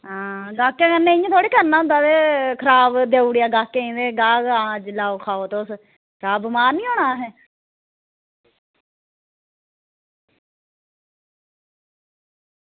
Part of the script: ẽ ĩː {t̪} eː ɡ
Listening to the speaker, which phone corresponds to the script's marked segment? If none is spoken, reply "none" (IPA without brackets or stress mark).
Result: d̪